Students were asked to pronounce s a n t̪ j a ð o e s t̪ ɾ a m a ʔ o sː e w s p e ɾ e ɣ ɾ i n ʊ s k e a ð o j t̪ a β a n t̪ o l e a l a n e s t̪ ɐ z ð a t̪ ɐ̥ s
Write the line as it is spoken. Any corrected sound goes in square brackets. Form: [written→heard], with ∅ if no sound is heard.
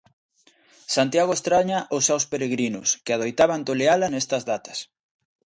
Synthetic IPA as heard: s a n t̪ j a [ð→ɣ] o e s t̪ ɾ a [m→ɲ] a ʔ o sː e w s p e ɾ e ɣ ɾ i n ʊ s k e a ð o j t̪ a β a n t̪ o l e a l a n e s t̪ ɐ z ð a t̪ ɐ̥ s

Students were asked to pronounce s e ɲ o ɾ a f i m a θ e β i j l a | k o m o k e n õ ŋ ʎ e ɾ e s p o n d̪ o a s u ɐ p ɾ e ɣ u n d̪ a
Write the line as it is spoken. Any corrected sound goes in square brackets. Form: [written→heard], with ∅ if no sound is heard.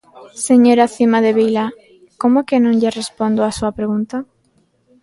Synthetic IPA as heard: s e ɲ o ɾ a [f→θ] i m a [θ→ð] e β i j l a | k o m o k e n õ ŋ ʎ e [ɾ→r] e s p o n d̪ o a s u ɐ p ɾ e ɣ u n [d̪→t̪] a

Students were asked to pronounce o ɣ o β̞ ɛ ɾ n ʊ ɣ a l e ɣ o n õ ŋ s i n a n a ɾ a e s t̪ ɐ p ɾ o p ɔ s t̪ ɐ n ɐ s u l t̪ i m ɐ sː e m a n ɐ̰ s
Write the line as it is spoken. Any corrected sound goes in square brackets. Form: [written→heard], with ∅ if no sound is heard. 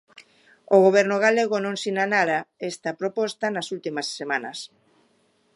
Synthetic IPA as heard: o ɣ o β̞ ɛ ɾ n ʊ ɣ a l e ɣ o n õ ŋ s i n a n a ɾ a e s t̪ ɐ p ɾ o p ɔ s t̪ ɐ n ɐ s u l t̪ i m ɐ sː e m a n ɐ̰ s

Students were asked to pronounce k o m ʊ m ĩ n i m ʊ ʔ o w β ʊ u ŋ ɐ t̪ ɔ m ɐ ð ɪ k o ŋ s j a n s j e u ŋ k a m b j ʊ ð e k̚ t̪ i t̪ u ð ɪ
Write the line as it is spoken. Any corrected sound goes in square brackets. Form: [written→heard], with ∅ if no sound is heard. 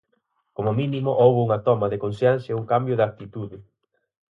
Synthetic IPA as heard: k o m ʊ m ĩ n i m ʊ ʔ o w β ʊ u ŋ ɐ t̪ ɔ m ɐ ð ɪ k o [ŋ→n] s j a n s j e u ŋ k a m b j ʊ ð [e→a] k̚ t̪ i t̪ u ð ɪ

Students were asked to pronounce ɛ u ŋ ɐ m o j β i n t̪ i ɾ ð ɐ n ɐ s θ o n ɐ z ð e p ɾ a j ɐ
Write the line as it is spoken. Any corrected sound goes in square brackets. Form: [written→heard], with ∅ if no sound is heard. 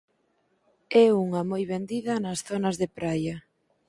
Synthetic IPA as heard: ɛ u ŋ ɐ m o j β [i→e] n [t̪→d̪] i [ɾ→∅] ð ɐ n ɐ s θ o n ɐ z ð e p ɾ a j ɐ

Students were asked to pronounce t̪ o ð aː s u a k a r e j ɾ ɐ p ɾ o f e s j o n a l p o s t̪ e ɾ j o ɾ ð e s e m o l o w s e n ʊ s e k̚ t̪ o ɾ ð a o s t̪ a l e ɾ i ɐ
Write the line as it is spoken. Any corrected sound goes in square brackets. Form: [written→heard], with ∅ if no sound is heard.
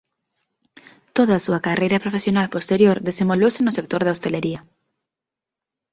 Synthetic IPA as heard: t̪ o ð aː s u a k a r e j ɾ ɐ p ɾ o f e s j o n a l p o s t̪ e ɾ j o ɾ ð e s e m o l o w s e n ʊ s e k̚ t̪ o ɾ ð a o s t̪ [a→e] l e ɾ i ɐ

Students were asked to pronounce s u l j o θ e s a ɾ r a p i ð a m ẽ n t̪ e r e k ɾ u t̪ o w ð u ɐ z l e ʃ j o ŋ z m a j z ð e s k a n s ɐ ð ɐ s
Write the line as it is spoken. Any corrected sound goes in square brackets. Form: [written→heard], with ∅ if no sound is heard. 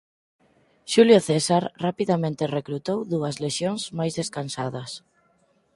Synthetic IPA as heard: [s→ʃ] u l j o θ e s a ɾ r a p i ð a m ẽ n t̪ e r e k ɾ u t̪ o w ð u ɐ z l e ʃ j o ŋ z m a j z ð e s k a n s [ɐ→a] ð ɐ s

